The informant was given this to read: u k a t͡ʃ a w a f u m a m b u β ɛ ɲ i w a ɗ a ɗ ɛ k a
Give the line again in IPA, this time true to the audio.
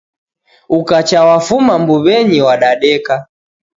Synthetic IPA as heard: u k a t͡ʃ a w a f u m a m b u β ɛ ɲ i w a ɗ a ɗ ɛ k a